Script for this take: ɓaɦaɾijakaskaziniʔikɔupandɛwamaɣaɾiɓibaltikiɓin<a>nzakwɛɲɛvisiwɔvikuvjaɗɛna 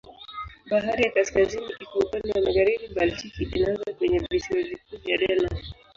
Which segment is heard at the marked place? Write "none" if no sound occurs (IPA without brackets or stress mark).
a